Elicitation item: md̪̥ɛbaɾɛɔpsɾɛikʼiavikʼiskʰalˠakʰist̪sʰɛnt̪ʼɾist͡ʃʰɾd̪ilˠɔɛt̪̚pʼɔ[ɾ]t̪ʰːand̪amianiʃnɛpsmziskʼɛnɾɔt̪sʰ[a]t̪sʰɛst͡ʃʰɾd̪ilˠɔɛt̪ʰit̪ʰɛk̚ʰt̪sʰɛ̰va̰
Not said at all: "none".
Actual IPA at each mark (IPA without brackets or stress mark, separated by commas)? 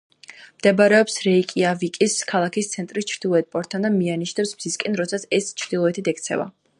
ɾ, a